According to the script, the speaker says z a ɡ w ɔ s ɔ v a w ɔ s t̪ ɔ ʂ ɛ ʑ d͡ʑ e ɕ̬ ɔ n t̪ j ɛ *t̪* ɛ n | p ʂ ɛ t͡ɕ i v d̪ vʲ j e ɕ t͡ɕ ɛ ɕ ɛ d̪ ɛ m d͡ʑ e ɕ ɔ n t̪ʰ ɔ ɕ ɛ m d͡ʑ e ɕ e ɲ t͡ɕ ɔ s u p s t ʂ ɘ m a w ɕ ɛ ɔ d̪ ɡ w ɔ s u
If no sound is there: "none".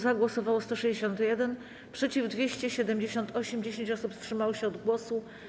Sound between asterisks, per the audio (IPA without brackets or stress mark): d̪